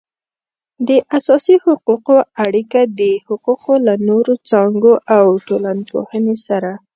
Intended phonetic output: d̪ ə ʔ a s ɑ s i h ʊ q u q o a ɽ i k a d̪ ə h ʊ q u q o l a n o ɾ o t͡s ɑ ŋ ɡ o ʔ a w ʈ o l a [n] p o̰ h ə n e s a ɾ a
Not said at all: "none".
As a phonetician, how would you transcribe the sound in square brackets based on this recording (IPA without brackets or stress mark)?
n